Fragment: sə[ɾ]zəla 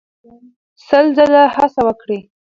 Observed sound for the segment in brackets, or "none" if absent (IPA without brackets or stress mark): l